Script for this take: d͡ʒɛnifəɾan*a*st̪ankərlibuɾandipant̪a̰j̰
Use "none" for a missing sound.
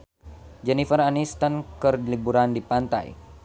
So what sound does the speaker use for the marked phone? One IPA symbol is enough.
i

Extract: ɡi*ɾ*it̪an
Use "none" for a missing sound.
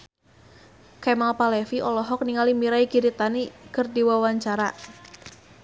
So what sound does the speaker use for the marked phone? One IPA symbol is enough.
ɾ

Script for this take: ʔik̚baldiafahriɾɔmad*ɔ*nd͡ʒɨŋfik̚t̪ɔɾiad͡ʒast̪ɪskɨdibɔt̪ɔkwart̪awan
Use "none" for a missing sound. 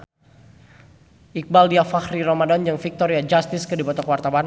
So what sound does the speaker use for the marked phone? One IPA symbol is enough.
ɔ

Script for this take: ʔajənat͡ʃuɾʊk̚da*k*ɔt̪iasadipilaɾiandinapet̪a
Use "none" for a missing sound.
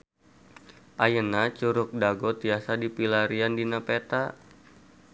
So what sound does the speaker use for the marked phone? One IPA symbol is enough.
ɡ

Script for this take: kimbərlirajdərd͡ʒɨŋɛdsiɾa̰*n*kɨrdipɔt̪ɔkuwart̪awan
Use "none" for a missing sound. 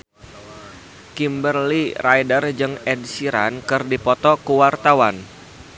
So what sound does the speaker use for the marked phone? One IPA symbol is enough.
n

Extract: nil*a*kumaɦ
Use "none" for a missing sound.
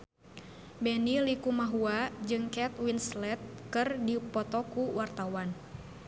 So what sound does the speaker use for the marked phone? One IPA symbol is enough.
i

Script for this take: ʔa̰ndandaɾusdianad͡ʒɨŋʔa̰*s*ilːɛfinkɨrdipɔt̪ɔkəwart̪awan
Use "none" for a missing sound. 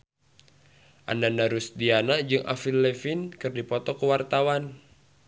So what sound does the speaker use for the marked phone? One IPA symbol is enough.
f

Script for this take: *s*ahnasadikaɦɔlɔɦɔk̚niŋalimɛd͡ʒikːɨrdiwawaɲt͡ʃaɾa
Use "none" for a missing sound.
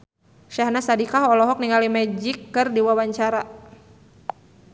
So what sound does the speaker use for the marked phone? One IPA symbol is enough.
ʃ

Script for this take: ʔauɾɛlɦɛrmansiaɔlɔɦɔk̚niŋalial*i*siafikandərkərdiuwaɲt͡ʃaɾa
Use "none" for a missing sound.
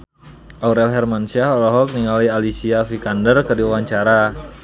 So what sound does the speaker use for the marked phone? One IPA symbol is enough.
i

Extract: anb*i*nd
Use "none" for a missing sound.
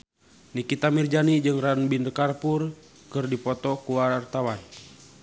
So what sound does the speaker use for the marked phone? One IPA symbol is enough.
i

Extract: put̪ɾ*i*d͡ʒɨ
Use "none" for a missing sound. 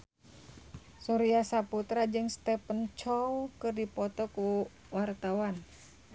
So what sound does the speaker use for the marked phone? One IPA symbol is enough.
a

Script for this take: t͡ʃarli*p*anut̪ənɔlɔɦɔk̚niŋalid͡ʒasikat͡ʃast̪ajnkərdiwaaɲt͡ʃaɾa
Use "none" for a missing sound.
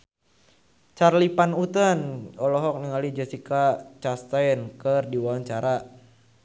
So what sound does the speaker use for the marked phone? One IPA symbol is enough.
p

